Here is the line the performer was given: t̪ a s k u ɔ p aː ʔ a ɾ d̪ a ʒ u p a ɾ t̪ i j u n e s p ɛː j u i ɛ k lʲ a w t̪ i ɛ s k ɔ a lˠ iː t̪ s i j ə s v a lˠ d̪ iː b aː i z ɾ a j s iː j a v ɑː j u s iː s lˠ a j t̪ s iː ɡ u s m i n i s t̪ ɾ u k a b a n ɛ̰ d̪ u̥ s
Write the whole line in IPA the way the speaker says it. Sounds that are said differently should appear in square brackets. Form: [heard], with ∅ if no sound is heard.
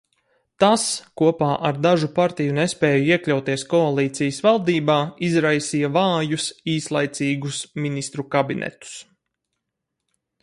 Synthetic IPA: t̪ a s k u ɔ p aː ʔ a ɾ d̪ a ʒ u p a ɾ t̪ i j u n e s p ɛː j u i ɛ k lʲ a w t̪ i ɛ s k ɔ a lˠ iː t̪ s i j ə s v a lˠ d̪ iː b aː i z ɾ a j s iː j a v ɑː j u s iː s lˠ a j t̪ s iː ɡ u s m i n i s t̪ ɾ u k a b [i] n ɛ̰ [t̪] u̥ s